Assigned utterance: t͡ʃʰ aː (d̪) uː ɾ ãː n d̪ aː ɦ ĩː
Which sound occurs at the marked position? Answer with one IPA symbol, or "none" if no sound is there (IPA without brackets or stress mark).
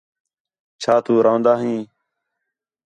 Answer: t̪